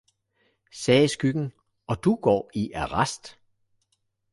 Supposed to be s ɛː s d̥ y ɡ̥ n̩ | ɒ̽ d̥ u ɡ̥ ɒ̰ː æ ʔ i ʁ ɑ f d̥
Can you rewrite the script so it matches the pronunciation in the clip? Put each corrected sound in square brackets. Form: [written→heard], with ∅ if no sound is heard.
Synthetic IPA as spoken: s ɛː s [d̥→ɡ̥] y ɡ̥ n̩ | ɒ̽ d̥ u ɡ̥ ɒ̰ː [æ→i] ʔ [i→æ] ʁ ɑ [f→s] d̥